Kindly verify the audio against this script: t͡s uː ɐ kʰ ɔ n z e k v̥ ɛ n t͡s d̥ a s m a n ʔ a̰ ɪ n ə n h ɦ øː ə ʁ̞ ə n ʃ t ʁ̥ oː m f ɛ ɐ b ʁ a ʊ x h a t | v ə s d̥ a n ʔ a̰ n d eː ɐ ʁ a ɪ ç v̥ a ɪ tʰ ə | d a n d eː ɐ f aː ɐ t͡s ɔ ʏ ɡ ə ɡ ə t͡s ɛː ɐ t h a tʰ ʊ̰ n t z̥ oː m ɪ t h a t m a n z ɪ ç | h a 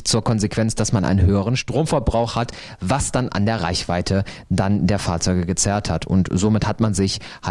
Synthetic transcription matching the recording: t͡s uː ɐ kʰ ɔ n z e k v̥ ɛ n t͡s d̥ a s m a n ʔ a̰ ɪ n ə n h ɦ øː ə ʁ̞ ə n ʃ t ʁ̥ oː m f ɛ ɐ b ʁ a ʊ x h a t | v a s d̥ a n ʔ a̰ n d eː ɐ ʁ a ɪ ç v̥ a ɪ tʰ ə | d a n d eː ɐ f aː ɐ t͡s ɔ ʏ ɡ ə ɡ ə t͡s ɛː ɐ t h a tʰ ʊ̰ n t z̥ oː m ɪ t h a t m a n z ɪ ç | h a

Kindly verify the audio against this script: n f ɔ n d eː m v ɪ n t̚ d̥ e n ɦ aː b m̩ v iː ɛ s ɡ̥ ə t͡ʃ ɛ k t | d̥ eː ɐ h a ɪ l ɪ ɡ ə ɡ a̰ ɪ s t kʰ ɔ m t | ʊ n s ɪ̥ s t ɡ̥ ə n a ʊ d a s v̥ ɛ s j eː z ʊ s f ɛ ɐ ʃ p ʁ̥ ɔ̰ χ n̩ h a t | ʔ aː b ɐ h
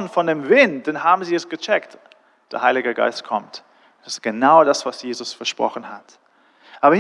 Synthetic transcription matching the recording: n f ɔ n d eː m v ɪ n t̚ d̥ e n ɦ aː b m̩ z iː ɛ s ɡ̥ ə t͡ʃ ɛ k t | d̥ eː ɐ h a ɪ l ɪ ɡ ə ɡ a̰ ɪ s t kʰ ɔ m t | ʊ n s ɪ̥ s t ɡ̥ ə n a ʊ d a s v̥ a s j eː z ʊ s f ɛ ɐ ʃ p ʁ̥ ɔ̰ χ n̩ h a t | ʔ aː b ɐ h

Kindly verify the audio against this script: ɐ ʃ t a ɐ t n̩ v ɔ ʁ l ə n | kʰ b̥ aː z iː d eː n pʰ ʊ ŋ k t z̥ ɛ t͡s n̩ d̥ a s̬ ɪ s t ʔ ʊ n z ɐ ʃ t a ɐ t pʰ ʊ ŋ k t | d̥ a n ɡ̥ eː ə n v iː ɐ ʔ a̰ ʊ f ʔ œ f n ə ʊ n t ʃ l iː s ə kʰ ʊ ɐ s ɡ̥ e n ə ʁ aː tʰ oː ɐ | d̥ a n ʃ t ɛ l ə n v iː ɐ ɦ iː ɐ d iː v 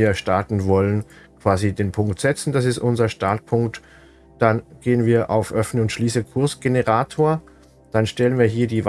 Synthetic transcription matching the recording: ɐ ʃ t a ɐ t n̩ v ɔ l ə n | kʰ v̥ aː z i d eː n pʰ ʊ ŋ k t z̥ ɛ t͡s n̩ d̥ a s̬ ɪ s t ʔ ʊ n z ɐ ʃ t a ɐ t pʰ ʊ ŋ k t | d̥ a n ɡ̥ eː ə n v iː ɐ ʔ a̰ ʊ f ʔ œ f n ə ʊ n t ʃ l iː s ə kʰ ʊ ɐ s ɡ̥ e n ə ʁ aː tʰ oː ɐ | d̥ a n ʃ t ɛ l ə n v iː ɐ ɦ iː ɐ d iː v

